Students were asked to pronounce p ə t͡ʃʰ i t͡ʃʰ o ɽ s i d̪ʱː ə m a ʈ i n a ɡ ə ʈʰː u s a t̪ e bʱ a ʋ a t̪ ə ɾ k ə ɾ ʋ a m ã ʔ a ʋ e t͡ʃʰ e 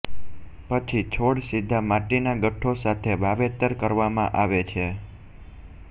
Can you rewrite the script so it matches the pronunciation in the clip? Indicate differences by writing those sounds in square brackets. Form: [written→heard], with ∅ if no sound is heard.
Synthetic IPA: p ə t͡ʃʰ i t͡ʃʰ o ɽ s i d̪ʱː [ə→a] m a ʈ i n a ɡ ə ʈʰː [u→o] s a [t̪→t̪ʰ] e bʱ a ʋ [a→e] t̪ ə ɾ k ə ɾ ʋ a m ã ʔ a ʋ e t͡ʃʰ e